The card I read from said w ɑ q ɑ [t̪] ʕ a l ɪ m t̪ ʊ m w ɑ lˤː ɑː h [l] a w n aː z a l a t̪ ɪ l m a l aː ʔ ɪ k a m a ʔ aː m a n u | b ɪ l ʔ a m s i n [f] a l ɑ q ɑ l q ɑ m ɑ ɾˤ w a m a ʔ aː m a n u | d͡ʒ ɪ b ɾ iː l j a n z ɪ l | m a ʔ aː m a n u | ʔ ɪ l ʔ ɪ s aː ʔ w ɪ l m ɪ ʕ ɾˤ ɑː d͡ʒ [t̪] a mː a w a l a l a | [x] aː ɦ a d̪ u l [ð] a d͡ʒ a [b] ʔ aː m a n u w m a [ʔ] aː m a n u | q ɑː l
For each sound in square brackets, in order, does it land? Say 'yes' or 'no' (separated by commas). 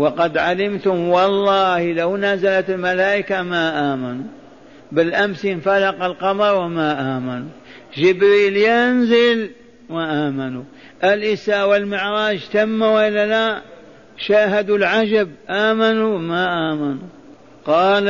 no, yes, yes, yes, no, no, yes, yes